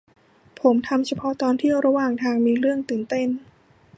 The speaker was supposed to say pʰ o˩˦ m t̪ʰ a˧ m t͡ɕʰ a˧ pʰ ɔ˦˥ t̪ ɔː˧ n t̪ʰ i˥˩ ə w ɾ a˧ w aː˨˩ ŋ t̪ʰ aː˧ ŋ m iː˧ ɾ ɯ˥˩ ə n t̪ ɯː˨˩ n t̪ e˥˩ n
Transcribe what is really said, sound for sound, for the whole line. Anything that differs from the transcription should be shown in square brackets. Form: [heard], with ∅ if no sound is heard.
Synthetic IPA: pʰ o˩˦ m t̪ʰ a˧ m t͡ɕʰ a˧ pʰ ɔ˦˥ t̪ ɔː˧ n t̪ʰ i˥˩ ə w ɾ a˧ w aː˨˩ ŋ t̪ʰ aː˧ ŋ m iː˧ ɾ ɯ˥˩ ə [ŋ] t̪ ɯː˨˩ n t̪ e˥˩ n